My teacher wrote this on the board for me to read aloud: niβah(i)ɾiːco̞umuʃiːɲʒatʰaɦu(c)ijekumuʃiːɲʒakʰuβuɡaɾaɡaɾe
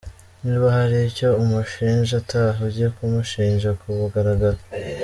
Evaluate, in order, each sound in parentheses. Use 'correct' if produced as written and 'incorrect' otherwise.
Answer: incorrect, incorrect

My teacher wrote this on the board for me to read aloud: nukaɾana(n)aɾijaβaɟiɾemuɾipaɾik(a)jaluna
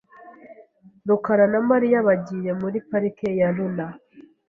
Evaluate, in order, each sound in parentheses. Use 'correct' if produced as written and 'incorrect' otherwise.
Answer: incorrect, incorrect

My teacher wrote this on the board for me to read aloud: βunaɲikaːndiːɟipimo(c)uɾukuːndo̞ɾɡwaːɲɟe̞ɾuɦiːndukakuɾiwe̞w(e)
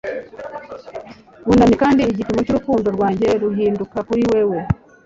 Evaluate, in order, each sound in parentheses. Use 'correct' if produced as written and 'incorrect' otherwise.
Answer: correct, correct

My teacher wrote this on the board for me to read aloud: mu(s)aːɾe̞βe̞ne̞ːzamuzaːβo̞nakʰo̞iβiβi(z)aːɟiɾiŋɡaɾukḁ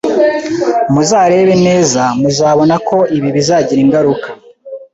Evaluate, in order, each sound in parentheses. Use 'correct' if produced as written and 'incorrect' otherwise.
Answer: incorrect, correct

